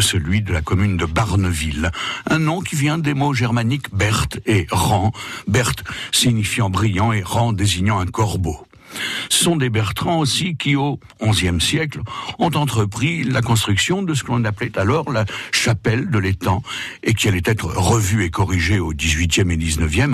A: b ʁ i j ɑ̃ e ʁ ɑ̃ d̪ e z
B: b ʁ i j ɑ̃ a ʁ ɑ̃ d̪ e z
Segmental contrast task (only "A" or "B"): A